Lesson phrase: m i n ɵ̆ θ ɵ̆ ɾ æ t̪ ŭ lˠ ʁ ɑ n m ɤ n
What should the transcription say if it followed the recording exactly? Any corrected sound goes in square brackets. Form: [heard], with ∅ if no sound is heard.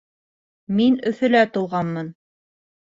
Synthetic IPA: m i n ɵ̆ θ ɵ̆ [l] æ t̪ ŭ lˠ ʁ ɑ n m ɤ n